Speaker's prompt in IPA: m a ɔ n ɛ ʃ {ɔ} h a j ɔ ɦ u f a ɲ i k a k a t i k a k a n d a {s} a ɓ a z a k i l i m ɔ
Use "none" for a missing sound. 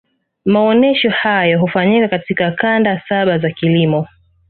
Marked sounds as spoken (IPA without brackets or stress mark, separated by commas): ɔ, s